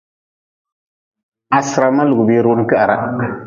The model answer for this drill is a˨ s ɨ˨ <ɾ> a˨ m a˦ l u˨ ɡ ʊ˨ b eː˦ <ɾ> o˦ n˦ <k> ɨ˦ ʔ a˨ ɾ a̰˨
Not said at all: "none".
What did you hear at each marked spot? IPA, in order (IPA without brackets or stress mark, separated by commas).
ɾ, ɾ, k